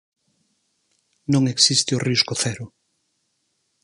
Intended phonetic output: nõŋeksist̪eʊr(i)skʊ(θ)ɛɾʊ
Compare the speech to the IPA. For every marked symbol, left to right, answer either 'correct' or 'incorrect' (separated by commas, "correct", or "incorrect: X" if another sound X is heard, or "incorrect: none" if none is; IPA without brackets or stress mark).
correct, correct